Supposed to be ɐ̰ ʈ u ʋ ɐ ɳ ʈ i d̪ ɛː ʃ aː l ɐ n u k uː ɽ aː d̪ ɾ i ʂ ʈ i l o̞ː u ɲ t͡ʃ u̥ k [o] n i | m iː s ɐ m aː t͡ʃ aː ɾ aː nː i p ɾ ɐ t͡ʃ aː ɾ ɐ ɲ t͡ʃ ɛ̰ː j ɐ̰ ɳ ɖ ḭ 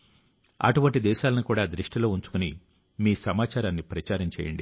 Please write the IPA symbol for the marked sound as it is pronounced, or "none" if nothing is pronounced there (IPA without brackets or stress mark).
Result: u